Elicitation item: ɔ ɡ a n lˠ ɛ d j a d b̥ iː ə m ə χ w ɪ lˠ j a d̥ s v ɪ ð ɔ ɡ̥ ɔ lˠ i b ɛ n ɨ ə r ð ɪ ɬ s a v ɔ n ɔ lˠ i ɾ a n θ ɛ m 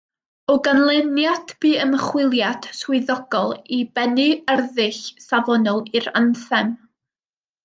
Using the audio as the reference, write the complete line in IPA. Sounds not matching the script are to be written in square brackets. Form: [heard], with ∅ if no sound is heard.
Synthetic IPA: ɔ ɡ a n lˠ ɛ [n] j a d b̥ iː ə m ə χ w ɪ lˠ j a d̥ s [w] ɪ ð ɔ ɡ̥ ɔ lˠ i b ɛ n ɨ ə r ð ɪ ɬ s a v ɔ n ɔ lˠ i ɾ a n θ ɛ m